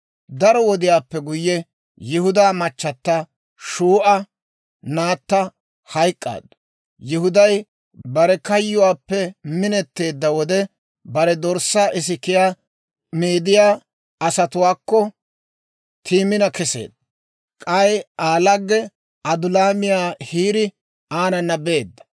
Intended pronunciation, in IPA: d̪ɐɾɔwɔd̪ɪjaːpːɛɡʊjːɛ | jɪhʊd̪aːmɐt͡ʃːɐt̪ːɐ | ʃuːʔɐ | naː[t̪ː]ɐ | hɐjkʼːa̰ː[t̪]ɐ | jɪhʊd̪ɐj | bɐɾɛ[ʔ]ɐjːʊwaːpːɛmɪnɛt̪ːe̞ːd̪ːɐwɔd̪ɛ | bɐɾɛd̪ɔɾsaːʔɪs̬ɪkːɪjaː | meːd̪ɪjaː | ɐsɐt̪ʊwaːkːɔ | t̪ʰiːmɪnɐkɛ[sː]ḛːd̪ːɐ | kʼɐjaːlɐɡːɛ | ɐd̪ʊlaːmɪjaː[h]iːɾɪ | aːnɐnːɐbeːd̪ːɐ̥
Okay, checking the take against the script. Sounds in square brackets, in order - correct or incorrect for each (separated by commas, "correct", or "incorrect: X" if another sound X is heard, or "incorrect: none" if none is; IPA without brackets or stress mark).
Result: correct, incorrect: d̪, incorrect: k, incorrect: s, correct